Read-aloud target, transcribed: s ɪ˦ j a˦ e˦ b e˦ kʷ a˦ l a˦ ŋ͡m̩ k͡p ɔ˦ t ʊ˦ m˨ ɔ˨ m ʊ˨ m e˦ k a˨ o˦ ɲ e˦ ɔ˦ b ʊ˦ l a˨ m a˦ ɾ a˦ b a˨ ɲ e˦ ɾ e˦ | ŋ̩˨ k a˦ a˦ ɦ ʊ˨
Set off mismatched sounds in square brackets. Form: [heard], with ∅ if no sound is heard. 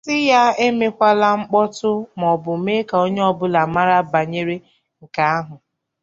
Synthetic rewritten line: s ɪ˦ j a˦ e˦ [m] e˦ kʷ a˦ l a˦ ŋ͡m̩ k͡p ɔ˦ t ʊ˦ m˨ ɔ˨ [b] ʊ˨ m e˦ k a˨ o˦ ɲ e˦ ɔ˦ b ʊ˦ l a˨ m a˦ ɾ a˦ b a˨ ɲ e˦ ɾ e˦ | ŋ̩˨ k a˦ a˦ ɦ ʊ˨